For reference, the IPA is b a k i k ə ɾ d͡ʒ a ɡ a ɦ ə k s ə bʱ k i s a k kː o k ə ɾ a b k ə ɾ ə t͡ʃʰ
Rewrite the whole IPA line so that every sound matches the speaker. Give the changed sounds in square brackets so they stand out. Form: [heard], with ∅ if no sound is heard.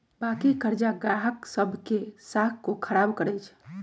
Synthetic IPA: b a k i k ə ɾ d͡ʒ a ɡ a ɦ ə k s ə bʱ k [e] s a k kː o [kʰ] ə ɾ a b k ə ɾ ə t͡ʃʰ